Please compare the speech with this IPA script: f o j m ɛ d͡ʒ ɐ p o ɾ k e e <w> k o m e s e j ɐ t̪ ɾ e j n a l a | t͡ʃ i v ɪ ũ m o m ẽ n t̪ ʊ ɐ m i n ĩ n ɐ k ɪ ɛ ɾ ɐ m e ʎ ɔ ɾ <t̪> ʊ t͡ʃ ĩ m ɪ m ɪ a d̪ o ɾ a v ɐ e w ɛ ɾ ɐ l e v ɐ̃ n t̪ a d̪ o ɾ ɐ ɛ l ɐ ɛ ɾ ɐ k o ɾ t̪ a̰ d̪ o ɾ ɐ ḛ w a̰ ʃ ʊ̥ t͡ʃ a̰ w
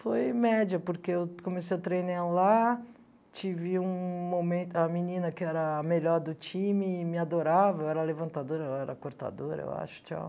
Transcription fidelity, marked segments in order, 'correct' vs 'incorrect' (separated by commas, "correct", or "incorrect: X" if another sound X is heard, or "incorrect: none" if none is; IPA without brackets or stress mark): correct, incorrect: d̪